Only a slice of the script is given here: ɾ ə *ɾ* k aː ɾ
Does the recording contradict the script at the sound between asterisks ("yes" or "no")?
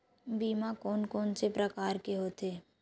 yes